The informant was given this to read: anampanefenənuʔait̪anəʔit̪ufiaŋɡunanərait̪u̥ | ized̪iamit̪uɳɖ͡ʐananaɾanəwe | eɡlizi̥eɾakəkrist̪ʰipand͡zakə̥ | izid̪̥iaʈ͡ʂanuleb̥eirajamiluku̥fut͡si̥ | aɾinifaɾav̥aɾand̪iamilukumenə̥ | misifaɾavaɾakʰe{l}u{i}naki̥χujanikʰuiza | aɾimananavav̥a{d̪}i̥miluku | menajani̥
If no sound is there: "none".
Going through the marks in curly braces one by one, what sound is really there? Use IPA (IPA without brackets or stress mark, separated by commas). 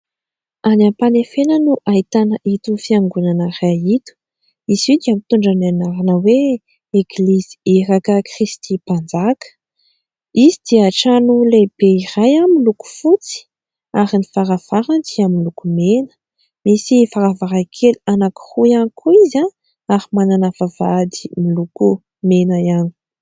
l, a, d̪